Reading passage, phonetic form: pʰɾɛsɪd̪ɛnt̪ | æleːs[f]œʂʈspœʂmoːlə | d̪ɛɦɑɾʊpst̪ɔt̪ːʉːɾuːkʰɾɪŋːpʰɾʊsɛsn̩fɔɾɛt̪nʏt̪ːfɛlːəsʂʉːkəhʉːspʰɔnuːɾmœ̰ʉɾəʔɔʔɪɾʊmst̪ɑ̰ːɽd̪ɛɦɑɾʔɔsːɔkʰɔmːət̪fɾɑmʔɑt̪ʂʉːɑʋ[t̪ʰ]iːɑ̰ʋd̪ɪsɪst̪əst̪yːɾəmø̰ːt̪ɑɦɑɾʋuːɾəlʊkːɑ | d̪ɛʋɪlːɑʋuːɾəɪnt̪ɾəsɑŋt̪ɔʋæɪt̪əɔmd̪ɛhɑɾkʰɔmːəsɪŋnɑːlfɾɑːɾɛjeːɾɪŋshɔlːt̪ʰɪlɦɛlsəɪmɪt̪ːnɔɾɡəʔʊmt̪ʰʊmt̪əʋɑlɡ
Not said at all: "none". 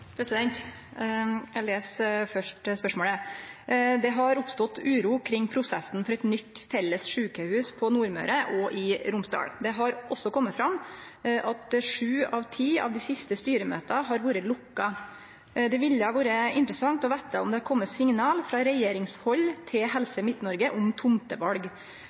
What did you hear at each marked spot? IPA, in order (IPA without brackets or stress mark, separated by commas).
f, t̪ʰ